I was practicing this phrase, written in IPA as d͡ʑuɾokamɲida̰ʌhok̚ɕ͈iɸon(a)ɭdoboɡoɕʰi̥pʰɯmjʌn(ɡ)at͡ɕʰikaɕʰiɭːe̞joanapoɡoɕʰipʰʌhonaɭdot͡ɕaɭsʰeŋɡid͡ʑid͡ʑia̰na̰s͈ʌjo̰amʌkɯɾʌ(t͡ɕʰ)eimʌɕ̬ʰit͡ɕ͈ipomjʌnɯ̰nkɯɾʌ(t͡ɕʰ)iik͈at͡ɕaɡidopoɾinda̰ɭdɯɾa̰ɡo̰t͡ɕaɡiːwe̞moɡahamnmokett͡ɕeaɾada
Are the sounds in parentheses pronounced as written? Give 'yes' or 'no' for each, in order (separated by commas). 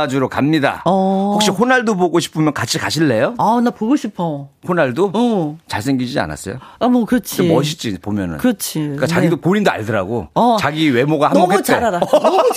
yes, no, yes, yes